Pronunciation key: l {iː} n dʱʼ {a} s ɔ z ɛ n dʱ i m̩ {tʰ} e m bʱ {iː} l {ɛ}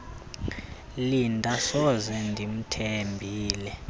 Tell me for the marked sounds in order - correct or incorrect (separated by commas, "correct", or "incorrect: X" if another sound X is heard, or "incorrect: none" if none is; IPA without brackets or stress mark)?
incorrect: i, correct, correct, correct, correct